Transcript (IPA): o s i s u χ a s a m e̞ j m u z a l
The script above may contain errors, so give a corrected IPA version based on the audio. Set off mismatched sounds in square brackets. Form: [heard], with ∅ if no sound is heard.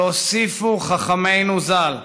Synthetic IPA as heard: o s i [f] u χ a [χ] a m e̞ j [n] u z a l